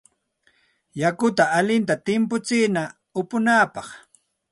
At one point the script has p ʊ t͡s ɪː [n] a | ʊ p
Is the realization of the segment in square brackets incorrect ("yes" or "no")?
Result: no